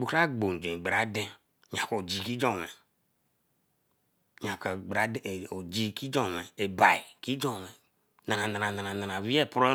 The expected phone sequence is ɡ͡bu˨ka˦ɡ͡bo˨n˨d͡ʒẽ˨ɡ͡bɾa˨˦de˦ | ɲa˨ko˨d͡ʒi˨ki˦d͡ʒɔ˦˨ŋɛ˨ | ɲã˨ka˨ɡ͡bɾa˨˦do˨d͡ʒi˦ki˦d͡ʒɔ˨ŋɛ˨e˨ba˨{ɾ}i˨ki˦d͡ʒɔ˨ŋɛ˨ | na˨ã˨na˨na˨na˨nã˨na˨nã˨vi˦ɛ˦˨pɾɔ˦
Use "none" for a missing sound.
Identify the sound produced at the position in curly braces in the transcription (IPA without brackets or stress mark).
none